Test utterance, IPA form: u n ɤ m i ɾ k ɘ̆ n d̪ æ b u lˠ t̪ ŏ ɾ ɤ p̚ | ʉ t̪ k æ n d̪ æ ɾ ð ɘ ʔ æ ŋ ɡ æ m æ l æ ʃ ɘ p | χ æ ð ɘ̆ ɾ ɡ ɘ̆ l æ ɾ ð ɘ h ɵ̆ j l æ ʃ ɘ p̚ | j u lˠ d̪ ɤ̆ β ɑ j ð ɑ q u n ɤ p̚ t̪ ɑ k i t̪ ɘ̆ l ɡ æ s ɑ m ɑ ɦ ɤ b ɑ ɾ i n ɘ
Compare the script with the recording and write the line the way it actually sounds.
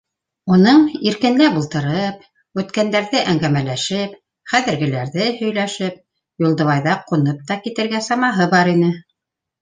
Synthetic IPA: u n ɤ ɴ i ɾ k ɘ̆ n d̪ æ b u lˠ t̪ ɤ̆ ɾ ɤ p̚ | ʉ t̪ k æ n d̪ æ ɾ ð ɘ ʔ æ ŋ ɡ æ m æ l æ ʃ ɘ p | χ æ ð ɘ̆ ɾ ɡ ɘ̆ l æ ɾ ð ɘ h ɵ̆ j l æ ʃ ɘ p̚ | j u lˠ d̪ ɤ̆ β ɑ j ð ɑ q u n ɤ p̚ t̪ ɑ k i t̪ ɘ̆ ɾ ɡ æ s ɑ m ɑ ɦ ɤ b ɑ ɾ i n ɘ